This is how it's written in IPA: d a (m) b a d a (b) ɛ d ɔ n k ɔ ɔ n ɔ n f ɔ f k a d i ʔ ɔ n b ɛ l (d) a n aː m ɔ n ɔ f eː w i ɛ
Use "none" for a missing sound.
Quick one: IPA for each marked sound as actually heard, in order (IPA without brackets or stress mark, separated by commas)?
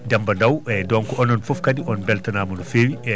m, w, t